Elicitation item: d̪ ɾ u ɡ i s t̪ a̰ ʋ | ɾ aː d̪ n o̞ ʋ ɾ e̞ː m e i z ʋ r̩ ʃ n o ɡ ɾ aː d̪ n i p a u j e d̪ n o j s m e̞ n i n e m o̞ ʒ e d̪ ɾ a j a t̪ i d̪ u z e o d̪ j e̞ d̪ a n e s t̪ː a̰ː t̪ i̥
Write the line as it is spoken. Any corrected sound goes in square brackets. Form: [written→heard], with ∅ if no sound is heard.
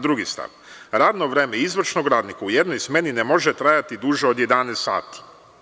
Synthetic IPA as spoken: d̪ ɾ u ɡ i s t̪ a̰ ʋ | ɾ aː d̪ n o̞ ʋ ɾ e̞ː m e i z ʋ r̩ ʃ n o ɡ ɾ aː d̪ n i [p→k] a u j e d̪ n o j s m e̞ n i n e m o̞ ʒ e [d̪→t̪] ɾ a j a t̪ i d̪ u [z→ʒ] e o d̪ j e̞ d̪ a n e s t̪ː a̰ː t̪ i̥